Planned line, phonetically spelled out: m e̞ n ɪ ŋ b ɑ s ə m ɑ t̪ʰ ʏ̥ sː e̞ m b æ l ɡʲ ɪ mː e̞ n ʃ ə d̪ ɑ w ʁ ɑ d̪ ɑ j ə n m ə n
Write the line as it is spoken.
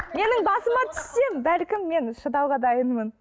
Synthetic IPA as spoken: m e̞ n ɪ ŋ b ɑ s ə m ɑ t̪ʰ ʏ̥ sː e̞ m b æ l kʲ ɪ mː e̞ n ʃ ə d̪ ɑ w ʁ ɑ d̪ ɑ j ə n m ə n